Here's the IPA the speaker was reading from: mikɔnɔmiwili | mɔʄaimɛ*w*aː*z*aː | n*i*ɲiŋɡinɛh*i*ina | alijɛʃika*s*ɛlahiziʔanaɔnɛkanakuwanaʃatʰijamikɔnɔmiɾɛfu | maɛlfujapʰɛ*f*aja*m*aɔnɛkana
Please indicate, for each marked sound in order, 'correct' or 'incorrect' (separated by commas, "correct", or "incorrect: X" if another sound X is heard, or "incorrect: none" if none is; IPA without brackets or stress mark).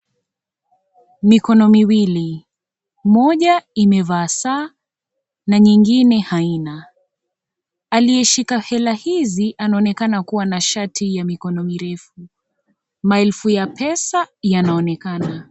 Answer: incorrect: v, incorrect: s, incorrect: a, incorrect: a, incorrect: h, incorrect: s, incorrect: n